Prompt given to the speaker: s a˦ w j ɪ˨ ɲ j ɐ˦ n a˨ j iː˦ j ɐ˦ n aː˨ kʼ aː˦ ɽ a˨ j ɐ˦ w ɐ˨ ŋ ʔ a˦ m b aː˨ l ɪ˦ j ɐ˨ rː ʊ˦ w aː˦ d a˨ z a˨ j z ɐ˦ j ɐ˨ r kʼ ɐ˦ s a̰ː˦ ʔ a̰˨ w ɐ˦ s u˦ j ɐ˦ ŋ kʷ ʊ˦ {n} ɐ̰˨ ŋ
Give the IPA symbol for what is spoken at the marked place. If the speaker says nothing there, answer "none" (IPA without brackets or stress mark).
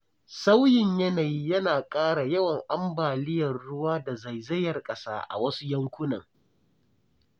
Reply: n